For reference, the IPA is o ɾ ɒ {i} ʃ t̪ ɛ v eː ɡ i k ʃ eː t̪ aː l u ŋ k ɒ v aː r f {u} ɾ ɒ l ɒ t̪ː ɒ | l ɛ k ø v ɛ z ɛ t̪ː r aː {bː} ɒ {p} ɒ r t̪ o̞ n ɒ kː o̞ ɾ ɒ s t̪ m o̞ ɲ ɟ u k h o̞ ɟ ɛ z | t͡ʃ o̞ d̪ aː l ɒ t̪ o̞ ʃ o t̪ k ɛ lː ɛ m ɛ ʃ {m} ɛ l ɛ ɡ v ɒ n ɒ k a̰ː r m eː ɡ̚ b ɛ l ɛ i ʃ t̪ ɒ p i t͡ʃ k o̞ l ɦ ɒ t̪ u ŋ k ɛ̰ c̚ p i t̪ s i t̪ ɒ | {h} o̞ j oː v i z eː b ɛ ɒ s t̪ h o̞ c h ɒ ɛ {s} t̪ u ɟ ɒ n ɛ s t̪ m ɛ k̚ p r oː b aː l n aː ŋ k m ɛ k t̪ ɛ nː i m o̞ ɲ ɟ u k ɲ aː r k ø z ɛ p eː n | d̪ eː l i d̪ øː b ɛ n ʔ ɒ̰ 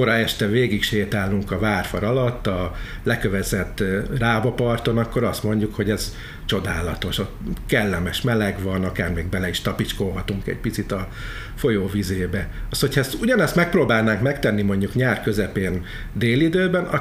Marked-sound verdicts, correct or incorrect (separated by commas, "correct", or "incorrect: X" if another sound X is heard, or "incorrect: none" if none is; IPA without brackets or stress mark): incorrect: ɛ, incorrect: ɒ, incorrect: b, correct, correct, incorrect: f, correct